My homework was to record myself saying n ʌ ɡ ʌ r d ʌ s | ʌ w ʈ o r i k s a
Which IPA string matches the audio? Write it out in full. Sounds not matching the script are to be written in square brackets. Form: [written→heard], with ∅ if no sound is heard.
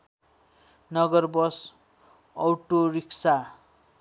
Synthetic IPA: n ʌ ɡ ʌ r [d→b] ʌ s | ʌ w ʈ o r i k s a

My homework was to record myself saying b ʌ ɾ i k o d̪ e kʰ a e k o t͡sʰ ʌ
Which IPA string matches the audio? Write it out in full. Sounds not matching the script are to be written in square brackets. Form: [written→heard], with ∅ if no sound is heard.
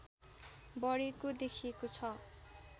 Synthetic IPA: b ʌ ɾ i k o d̪ e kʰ [a→i] e k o t͡sʰ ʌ

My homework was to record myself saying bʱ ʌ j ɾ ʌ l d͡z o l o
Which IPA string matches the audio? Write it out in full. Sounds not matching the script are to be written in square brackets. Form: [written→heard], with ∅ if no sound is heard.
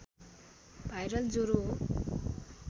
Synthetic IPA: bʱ [ʌ→a] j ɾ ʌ l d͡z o [l→ɾ] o

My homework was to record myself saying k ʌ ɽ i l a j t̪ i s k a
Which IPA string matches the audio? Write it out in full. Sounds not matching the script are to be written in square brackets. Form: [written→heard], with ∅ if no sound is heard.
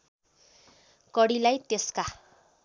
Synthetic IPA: k ʌ ɽ i l a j t̪ [i→e] s k a

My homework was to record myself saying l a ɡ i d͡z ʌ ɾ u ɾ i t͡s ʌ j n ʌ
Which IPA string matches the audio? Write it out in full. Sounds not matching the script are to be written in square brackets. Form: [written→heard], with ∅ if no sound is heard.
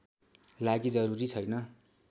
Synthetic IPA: l a ɡ i d͡z ʌ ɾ u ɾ i [t͡s→t͡sʰ] ʌ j n ʌ

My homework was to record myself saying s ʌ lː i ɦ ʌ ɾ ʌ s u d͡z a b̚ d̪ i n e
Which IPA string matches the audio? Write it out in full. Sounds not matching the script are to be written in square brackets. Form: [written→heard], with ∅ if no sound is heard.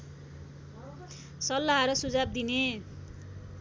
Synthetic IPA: s ʌ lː [i→a] ɦ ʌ ɾ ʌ s u d͡z a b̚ d̪ i n e

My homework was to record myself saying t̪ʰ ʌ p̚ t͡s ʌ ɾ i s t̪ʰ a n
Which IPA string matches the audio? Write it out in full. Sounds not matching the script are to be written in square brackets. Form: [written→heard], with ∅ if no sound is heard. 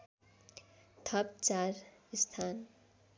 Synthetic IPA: t̪ʰ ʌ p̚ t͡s [ʌ→a] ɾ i s t̪ʰ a n

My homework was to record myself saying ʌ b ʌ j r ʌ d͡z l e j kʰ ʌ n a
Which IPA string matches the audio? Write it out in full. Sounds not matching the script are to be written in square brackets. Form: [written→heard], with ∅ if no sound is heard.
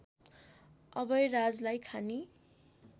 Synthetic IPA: ʌ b ʌ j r [ʌ→a] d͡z l [e→a] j kʰ [ʌ→a] n [a→i]

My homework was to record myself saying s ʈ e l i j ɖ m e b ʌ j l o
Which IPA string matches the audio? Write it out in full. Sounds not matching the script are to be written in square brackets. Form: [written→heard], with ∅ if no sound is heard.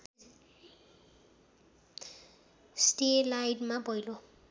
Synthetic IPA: s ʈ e l [i→a] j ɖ m [e→a] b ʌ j l o

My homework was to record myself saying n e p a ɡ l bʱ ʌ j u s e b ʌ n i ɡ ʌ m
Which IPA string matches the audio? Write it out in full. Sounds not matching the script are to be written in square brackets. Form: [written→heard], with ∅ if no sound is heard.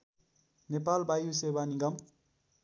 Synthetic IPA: n e p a [ɡ→∅] l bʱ [ʌ→a] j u s e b [ʌ→a] n i ɡ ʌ m

